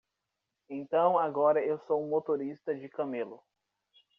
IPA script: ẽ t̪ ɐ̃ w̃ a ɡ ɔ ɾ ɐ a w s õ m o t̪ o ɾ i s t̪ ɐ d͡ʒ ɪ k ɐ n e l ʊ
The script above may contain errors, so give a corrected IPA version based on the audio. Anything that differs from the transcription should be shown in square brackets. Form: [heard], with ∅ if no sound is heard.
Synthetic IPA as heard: ẽ t̪ ɐ̃ w̃ a ɡ ɔ ɾ ɐ [e] w s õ m o t̪ o ɾ i s t̪ ɐ d͡ʒ ɪ k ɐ [m] e l ʊ